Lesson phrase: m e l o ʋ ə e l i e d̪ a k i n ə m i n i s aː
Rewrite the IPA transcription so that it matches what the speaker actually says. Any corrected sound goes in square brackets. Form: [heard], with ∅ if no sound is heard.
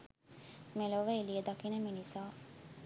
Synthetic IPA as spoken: m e l o ʋ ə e l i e d̪ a k i n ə m i n i s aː